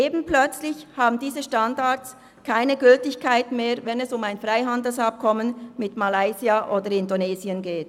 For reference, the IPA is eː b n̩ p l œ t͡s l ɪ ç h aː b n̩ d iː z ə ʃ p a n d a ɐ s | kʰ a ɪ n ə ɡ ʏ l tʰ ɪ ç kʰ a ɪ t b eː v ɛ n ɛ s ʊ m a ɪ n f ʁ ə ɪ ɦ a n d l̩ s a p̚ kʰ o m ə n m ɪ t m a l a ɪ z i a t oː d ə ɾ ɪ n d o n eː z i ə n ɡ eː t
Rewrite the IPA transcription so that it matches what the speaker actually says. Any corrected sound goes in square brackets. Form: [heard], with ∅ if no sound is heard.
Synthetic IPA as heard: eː b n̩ p l œ t͡s l ɪ ç h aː b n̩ d iː z ə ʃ [t] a n d a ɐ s | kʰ a ɪ n ə ɡ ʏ l [t] ɪ ç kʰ a ɪ t [m] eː v ɛ n ɛ s ʊ m a ɪ n f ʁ [a] ɪ ɦ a n d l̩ s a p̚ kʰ [ɔ] m ə n m ɪ t m a l a ɪ z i a [ʔ] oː d ə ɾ ɪ n d o n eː z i ə n ɡ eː t